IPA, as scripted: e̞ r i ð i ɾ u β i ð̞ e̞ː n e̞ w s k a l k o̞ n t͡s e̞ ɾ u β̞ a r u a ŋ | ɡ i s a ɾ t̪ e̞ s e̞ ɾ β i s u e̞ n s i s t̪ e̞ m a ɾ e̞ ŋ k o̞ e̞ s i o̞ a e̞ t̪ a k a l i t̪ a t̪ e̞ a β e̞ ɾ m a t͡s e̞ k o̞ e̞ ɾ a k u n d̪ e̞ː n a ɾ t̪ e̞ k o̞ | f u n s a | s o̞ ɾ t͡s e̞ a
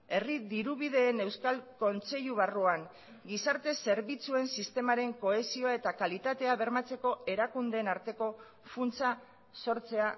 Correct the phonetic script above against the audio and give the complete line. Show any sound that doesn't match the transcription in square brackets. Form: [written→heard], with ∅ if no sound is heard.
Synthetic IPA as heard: e̞ r i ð i ɾ u β i ð̞ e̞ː n e̞ w s k a l k o̞ n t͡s e̞ [ɾ→ʎ] u β̞ a r u a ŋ | ɡ i s a ɾ t̪ e̞ s e̞ ɾ β i [s→t͡s] u e̞ n s i s t̪ e̞ m a ɾ e̞ ŋ k o̞ e̞ s i o̞ a e̞ t̪ a k a l i t̪ a t̪ e̞ a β e̞ ɾ m a t͡s e̞ k o̞ e̞ ɾ a k u n d̪ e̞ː n a ɾ t̪ e̞ k o̞ | f u n [s→t͡s] a | s o̞ ɾ t͡s e̞ a